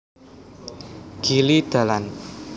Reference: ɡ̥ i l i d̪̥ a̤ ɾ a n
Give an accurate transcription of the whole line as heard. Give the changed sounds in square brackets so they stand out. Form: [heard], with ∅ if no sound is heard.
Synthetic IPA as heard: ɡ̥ i l i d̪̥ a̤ [l] a n